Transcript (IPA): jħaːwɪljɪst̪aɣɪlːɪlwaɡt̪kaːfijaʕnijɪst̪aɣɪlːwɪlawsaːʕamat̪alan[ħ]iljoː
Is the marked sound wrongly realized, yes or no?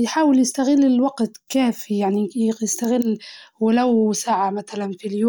yes